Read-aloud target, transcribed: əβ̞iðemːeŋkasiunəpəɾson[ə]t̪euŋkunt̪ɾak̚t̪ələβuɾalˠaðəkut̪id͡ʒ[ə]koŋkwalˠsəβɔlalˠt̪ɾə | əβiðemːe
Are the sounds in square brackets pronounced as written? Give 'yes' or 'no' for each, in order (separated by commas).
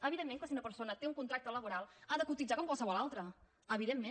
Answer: yes, no